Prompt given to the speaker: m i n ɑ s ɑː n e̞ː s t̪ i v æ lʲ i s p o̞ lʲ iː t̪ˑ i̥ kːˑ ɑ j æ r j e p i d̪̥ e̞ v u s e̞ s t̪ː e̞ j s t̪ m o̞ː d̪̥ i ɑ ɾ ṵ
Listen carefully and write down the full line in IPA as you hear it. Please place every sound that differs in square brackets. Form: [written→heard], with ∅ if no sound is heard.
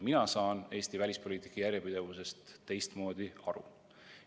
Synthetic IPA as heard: m i n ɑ s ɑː n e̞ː s t̪ i v æ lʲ i s p o̞ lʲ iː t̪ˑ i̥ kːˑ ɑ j æ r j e p i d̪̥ e̞ v u s e̞ s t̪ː e̞ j s t̪ m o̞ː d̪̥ i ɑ ɾ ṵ